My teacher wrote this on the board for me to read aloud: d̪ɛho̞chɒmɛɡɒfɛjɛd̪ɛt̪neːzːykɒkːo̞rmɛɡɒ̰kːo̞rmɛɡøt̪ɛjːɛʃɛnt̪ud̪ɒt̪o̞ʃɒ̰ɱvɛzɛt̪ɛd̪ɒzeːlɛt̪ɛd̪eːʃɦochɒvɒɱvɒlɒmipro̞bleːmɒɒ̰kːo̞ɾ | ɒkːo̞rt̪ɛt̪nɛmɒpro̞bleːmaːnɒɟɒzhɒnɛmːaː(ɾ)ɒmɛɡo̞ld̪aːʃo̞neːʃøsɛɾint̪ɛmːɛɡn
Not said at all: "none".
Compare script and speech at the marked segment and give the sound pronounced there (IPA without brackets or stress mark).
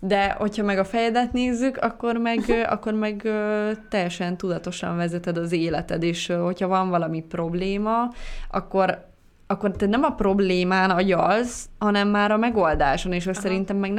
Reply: ɾ